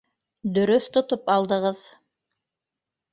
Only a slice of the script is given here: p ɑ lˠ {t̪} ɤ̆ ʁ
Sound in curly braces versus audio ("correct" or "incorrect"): incorrect